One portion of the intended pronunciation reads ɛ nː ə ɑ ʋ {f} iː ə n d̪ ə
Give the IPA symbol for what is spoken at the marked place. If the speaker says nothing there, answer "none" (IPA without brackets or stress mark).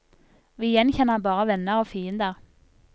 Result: f